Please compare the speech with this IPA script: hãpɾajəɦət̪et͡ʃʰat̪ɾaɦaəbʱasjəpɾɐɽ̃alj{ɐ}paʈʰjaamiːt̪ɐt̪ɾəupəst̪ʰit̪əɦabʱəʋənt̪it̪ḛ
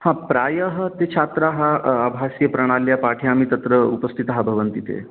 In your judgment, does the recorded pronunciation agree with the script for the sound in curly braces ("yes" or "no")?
no